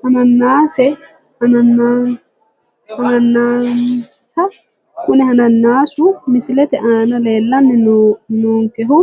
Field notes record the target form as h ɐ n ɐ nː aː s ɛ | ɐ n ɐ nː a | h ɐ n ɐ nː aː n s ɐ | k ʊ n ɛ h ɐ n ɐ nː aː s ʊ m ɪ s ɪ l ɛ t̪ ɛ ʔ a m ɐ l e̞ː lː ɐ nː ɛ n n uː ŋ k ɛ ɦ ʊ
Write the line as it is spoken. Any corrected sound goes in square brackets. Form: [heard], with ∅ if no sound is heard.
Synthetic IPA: h ɐ n ɐ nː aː s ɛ | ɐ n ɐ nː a | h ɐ n ɐ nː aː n s ɐ | k ʊ n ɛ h ɐ n ɐ nː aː s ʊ m ɪ s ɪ l ɛ t̪ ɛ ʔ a [n] ɐ l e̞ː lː ɐ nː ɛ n n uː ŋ k ɛ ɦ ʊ